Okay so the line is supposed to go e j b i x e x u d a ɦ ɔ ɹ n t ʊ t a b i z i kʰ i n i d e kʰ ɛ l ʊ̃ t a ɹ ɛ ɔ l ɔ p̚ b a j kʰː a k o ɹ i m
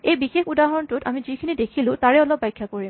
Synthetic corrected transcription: e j b i x e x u d a ɦ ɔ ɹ n t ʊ t a m i z i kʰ i n i d e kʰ i l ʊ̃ t a ɹ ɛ ɔ l ɔ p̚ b a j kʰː a k o ɹ i m